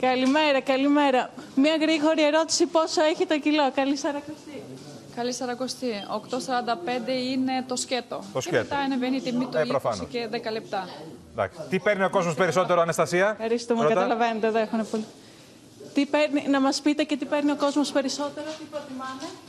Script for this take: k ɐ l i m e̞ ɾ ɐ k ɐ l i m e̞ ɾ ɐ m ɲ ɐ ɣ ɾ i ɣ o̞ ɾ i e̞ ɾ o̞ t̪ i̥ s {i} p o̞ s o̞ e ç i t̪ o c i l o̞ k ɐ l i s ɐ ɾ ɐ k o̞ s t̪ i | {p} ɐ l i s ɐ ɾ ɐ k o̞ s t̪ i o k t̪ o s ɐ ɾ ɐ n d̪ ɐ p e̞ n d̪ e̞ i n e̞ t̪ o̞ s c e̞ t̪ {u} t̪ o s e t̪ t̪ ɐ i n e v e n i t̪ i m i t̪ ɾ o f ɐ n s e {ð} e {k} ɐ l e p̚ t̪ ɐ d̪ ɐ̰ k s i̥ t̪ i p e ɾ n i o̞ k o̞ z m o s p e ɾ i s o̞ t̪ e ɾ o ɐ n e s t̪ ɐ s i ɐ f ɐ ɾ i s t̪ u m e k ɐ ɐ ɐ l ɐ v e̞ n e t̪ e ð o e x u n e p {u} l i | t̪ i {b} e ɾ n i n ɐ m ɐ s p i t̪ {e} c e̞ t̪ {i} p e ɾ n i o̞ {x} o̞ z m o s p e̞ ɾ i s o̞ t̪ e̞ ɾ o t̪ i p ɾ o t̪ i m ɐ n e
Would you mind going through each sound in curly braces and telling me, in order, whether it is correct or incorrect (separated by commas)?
correct, incorrect, incorrect, correct, correct, incorrect, incorrect, correct, correct, incorrect